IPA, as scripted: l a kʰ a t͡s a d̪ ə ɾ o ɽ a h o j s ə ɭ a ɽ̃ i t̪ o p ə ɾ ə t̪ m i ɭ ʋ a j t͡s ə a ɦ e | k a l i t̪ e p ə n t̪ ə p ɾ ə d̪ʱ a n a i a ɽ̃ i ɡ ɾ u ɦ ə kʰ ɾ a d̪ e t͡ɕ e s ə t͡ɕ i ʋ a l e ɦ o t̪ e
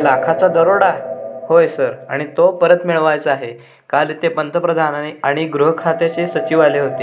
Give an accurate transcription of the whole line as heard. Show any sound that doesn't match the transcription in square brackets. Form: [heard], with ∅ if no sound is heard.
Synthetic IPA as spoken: l a kʰ a t͡s a d̪ ə ɾ o ɽ a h o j s ə [ɾ] a ɽ̃ i t̪ o p ə ɾ ə t̪ m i ɭ ʋ a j t͡s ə a ɦ e | k a l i t̪ e p ə n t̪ ə p ɾ ə d̪ʱ a n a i a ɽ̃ i ɡ ɾ u ɦ ə kʰ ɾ a [t̪] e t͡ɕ e s ə t͡ɕ i ʋ a l e ɦ o t̪ e